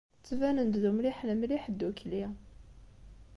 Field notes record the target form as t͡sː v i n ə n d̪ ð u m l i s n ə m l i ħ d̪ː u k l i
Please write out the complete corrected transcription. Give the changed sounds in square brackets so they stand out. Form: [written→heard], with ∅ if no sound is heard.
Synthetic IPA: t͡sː v [i→æ] n ə n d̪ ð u m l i [s→ħ] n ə m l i ħ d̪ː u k l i